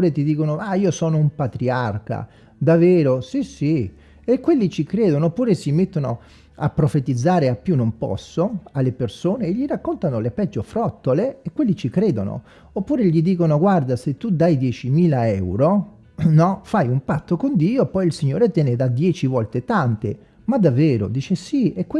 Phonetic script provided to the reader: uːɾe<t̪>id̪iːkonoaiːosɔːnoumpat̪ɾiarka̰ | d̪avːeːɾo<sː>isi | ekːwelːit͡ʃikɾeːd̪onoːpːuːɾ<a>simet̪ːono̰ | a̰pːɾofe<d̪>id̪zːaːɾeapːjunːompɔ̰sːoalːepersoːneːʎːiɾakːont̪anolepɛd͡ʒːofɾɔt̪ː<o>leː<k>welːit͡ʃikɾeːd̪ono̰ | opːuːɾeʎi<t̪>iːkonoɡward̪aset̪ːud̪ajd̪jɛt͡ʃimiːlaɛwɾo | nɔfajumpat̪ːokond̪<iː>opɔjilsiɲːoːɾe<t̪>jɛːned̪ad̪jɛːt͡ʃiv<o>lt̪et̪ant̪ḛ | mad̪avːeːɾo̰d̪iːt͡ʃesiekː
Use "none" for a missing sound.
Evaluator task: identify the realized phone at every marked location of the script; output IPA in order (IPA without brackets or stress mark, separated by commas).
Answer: t̪, s, e, t̪, o, k, d̪, iː, t̪, ɔ